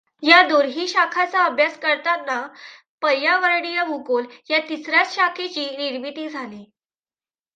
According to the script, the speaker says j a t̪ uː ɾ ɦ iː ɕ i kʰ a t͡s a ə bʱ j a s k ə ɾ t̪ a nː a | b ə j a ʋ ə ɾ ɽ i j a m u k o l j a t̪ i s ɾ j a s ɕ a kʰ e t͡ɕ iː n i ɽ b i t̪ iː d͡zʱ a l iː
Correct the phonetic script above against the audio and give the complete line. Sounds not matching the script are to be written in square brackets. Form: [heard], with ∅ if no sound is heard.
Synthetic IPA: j a [d̪] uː ɾ ɦ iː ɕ [a] kʰ a t͡s a ə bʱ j a s k ə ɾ t̪ a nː a | [p] ə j a ʋ ə ɾ ɽ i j a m u k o l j a t̪ i s ɾ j a [t͡s] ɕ a kʰ e t͡ɕ iː n i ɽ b i t̪ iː d͡zʱ a l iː